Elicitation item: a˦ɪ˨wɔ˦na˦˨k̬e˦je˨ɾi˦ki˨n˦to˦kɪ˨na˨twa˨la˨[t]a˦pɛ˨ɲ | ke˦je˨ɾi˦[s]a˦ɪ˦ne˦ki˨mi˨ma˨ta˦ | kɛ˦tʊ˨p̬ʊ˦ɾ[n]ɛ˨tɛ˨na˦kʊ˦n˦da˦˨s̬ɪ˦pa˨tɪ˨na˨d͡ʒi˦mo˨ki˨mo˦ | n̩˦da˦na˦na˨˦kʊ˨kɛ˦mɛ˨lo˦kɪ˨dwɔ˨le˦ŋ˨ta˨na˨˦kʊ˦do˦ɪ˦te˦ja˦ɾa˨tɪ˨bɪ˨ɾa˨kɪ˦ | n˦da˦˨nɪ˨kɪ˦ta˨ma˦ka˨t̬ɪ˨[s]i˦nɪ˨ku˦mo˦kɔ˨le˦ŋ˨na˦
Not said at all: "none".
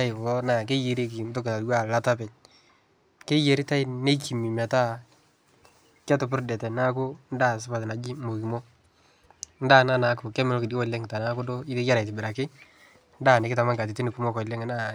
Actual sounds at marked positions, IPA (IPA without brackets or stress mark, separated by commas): t, t, d, t